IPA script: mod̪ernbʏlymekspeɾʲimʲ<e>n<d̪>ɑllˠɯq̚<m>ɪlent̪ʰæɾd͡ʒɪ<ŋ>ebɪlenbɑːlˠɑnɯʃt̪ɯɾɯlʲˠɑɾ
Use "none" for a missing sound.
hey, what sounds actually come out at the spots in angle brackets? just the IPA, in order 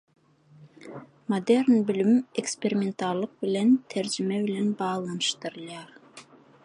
e, t̪, b, m

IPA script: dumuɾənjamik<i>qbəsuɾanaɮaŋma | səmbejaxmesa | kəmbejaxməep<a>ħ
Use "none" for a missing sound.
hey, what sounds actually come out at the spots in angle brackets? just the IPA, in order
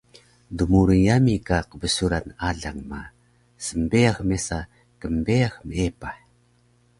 a, a

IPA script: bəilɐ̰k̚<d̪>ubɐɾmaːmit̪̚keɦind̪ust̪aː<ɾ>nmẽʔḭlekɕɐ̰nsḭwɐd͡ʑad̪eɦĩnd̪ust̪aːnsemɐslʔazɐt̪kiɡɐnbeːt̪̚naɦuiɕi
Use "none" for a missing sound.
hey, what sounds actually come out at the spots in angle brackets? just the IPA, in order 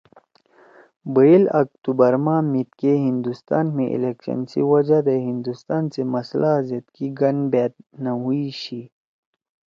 t̪, none

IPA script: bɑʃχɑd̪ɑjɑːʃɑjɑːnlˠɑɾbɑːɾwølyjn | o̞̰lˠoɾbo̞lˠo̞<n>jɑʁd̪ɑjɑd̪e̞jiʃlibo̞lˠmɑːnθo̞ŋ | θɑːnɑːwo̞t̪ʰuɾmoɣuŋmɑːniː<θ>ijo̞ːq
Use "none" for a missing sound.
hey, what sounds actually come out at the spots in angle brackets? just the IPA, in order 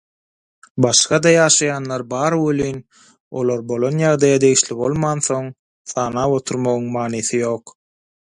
n, θ

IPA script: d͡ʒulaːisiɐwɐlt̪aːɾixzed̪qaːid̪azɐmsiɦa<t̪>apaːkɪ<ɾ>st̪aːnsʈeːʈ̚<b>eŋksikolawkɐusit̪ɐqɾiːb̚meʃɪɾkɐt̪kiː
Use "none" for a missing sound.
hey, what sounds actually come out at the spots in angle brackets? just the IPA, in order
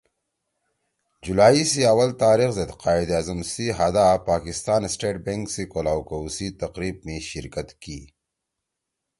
d̪, none, b

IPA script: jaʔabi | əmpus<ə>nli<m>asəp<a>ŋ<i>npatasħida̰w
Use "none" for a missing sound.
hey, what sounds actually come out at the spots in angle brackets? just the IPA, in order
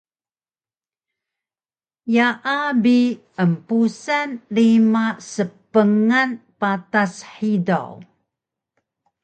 a, m, ə, a

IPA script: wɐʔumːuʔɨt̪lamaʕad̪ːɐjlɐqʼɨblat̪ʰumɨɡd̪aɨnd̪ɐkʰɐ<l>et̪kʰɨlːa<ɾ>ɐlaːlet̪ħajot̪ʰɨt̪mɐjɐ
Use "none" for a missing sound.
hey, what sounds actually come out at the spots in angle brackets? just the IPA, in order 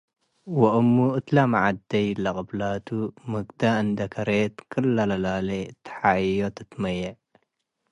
ɾ, l

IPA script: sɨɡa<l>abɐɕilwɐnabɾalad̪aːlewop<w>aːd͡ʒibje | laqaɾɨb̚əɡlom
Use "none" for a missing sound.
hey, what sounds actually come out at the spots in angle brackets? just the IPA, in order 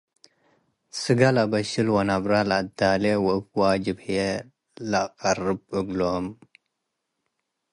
l, w

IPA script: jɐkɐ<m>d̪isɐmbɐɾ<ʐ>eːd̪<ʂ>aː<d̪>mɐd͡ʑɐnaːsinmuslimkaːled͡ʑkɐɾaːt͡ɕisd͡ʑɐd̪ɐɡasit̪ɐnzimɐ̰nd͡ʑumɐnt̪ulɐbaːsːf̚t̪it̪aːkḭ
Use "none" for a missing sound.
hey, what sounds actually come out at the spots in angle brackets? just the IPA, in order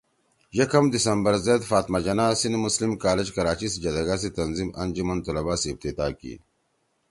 m, z, f, t̪

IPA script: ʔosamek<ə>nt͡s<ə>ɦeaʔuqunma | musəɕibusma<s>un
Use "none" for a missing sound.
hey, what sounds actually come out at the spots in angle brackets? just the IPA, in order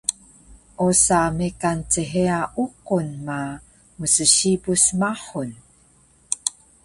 a, ə, ħ

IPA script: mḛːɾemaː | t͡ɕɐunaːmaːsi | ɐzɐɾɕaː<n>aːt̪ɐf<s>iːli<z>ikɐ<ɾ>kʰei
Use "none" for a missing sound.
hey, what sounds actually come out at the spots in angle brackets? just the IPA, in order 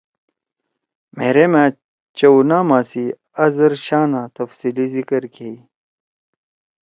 n, s, z, ɾ

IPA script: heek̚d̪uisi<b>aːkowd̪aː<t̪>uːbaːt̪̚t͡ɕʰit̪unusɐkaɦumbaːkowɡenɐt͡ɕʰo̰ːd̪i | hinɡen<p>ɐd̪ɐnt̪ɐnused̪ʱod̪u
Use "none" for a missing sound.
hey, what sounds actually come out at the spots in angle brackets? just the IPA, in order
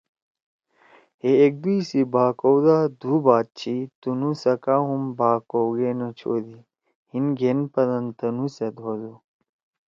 b, d̪, p

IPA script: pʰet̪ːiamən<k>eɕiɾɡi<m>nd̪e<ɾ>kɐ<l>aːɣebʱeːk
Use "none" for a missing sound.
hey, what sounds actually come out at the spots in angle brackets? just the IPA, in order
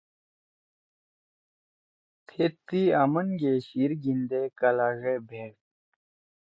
ɡ, none, none, l

